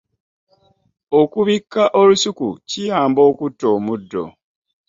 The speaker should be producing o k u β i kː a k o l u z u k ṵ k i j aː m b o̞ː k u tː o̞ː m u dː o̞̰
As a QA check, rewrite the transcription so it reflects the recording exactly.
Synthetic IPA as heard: o k u β i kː a ʔ o l u s u k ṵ c i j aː m b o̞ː k u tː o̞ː m u dː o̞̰